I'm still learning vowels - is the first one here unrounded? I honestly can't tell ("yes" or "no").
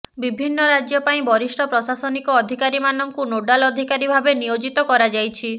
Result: yes